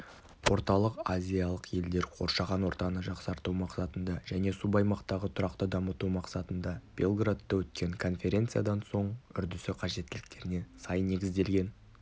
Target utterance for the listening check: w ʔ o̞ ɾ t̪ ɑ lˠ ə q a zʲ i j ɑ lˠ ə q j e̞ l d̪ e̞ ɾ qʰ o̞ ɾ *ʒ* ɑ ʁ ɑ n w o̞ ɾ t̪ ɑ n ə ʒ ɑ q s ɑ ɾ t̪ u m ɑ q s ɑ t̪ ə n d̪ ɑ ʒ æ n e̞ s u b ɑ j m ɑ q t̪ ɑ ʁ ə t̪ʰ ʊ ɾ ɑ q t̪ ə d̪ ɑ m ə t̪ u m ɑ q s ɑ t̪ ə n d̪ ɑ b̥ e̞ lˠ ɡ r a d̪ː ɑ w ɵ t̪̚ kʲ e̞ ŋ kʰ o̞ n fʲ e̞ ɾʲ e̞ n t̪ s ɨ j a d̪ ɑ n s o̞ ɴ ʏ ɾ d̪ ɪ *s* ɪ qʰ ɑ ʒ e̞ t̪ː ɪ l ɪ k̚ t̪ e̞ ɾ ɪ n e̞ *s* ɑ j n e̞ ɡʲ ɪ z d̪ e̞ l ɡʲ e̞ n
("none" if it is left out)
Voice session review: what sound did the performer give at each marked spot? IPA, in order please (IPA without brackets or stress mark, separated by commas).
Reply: ʃ, s, s